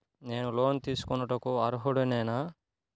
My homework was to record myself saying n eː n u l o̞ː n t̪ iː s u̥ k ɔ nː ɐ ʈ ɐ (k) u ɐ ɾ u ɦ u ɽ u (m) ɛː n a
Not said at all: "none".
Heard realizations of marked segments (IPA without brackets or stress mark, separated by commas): k, n